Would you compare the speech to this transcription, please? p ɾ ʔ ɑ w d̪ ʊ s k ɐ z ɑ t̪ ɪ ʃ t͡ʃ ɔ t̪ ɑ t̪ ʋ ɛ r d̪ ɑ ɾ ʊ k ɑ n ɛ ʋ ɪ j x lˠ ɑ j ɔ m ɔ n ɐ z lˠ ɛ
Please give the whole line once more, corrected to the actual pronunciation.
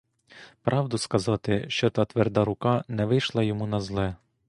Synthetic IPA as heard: p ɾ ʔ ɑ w d̪ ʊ s k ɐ z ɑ t̪ ɪ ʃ t͡ʃ ɔ t̪ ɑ t̪ ʋ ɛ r d̪ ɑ ɾ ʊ k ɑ n ɛ ʋ ɪ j ʃ lˠ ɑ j ɔ m u n ɐ z lˠ ɛ